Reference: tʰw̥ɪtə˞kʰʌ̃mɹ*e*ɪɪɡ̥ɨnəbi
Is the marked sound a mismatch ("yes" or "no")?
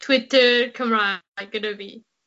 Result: yes